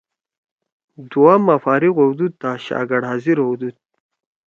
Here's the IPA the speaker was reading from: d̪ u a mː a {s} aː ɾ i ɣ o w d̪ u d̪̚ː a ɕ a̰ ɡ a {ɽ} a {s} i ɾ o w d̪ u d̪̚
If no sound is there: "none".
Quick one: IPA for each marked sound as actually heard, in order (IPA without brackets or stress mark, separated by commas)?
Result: f, ɽ, z